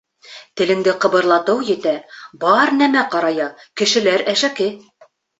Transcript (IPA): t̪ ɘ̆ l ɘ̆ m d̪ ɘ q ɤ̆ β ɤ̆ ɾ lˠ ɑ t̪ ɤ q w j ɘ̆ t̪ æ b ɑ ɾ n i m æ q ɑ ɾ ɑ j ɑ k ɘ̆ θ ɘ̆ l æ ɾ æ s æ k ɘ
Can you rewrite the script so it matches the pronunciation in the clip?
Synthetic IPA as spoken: t̪ ɘ̆ l ɘ̆ ŋ d̪ ɘ q ɤ̆ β ɤ̆ ɾ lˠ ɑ t̪ ɤ w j ɘ̆ t̪ æ b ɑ ɾ n æ m æ q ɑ ɾ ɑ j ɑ k ɘ̆ ʃ ɘ̆ l æ ɾ æ ʃ æ k ɘ